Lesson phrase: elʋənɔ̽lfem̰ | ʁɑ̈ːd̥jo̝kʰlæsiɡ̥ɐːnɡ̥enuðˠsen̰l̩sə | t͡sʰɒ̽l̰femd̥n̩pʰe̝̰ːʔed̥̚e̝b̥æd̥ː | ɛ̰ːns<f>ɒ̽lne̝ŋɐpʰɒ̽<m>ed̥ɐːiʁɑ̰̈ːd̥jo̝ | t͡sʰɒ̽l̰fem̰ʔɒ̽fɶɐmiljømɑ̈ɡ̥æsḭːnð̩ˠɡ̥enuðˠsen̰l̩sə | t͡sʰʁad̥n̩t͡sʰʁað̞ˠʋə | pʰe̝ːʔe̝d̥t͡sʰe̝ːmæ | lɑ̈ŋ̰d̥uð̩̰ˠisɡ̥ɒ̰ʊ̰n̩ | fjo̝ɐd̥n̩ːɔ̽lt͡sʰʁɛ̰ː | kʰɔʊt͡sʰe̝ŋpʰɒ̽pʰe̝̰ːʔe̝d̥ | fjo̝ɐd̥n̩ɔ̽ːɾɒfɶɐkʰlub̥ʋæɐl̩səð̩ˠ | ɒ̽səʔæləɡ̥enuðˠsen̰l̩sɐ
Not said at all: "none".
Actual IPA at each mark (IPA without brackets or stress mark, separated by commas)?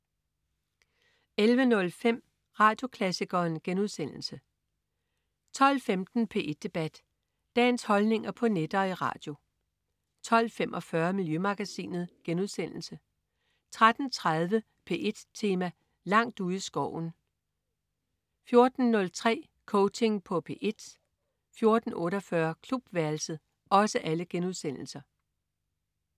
h, n